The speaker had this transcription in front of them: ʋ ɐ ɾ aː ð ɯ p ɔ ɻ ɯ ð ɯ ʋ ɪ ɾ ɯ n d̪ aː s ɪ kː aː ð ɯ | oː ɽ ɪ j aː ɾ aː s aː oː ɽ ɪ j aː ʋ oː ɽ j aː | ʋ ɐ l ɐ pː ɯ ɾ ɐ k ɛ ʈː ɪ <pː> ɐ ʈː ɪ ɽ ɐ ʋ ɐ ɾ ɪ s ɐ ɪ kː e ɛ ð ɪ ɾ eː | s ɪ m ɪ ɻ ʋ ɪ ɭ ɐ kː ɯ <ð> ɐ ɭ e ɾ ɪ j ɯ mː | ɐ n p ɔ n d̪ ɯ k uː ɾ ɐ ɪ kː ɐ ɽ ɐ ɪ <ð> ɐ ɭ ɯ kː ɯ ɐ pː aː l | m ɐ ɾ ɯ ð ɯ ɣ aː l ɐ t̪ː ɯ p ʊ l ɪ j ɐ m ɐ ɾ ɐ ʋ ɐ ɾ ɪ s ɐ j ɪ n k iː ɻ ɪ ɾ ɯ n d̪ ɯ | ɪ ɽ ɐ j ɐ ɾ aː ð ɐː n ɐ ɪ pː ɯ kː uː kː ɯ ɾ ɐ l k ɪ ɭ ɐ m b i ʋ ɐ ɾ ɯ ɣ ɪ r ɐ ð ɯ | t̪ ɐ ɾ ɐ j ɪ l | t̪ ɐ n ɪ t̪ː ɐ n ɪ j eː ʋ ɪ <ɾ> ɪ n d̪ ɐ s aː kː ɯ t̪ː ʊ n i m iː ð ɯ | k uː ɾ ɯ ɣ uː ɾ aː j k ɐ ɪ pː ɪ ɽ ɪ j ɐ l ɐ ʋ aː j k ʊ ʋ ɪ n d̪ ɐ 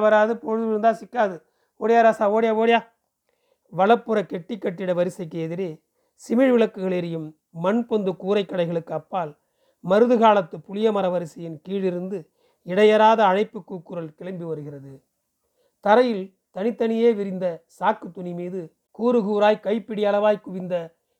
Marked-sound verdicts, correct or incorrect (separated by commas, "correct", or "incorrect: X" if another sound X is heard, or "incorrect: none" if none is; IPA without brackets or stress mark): incorrect: kː, incorrect: ɣ, incorrect: ɣ, correct